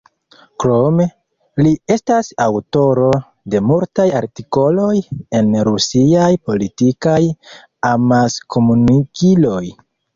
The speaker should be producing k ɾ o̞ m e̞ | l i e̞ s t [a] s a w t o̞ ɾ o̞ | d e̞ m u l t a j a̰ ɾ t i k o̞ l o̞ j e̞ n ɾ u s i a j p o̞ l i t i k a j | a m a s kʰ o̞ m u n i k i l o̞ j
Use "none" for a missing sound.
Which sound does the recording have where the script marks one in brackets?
a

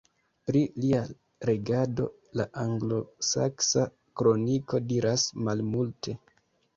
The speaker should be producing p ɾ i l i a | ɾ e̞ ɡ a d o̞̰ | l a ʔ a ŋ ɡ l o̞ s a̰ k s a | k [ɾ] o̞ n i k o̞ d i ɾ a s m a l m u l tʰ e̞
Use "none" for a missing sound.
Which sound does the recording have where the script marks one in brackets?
ɾ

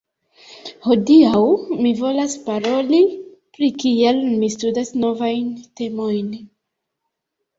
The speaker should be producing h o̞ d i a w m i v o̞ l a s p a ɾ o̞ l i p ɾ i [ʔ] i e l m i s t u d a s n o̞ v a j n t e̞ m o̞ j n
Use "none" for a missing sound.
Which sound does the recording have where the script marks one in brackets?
k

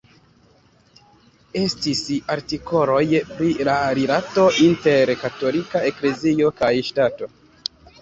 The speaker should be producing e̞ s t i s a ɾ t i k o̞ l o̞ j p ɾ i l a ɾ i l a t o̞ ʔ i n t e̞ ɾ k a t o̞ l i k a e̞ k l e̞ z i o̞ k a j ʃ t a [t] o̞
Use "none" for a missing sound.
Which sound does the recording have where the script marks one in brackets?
t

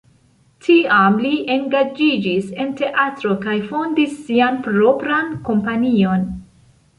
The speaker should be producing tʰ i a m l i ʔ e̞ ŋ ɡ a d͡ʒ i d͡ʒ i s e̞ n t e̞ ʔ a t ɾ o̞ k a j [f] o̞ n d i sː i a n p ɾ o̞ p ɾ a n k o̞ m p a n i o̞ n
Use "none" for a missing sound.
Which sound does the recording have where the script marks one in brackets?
f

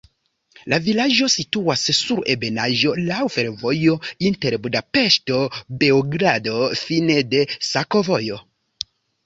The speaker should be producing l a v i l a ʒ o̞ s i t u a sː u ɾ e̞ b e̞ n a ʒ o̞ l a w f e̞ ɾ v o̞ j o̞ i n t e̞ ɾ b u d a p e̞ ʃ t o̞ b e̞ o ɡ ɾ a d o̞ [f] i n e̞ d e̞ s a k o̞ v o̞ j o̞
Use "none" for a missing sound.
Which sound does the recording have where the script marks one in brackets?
f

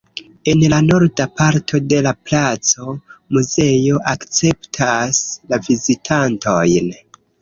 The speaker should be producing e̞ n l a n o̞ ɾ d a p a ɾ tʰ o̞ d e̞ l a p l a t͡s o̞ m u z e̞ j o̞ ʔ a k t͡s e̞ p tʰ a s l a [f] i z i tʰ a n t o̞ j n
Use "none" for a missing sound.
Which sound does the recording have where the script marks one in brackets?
v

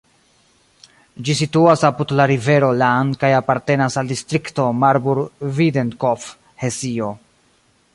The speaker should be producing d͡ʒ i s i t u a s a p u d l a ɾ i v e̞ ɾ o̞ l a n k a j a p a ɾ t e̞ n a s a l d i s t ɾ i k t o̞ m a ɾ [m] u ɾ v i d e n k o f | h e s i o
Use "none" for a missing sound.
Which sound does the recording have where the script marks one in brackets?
b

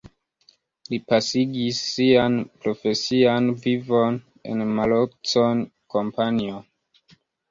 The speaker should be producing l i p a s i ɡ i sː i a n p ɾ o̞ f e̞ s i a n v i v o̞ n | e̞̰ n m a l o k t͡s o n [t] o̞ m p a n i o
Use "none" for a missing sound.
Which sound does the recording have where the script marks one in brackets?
k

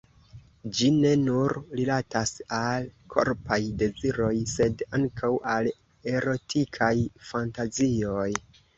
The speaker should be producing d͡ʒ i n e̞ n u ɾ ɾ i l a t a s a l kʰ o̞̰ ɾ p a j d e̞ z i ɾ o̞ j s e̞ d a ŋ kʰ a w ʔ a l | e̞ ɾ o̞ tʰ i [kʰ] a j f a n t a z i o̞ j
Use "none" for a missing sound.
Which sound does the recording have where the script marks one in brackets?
kʰ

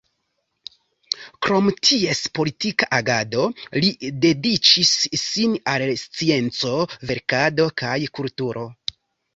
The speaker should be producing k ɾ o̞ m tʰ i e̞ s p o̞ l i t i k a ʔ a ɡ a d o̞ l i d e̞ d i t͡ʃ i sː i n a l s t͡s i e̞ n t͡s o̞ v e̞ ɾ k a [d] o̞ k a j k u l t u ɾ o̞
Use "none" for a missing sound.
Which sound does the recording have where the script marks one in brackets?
d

